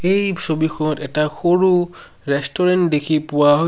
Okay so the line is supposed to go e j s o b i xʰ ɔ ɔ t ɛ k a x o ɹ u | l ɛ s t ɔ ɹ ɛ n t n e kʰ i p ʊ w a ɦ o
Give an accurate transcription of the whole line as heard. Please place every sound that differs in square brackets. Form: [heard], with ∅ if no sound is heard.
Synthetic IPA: e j s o b i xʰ ɔ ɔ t ɛ [t] a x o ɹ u | [ɹ] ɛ s t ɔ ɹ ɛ n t [d] e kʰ i p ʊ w a ɦ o